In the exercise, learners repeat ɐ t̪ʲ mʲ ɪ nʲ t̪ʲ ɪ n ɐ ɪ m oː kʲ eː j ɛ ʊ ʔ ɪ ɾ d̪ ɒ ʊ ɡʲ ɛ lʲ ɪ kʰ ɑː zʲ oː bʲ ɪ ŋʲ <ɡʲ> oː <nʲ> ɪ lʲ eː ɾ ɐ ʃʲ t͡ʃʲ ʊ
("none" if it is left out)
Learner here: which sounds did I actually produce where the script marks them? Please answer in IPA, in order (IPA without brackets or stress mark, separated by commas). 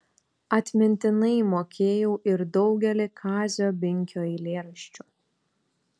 kʲ, none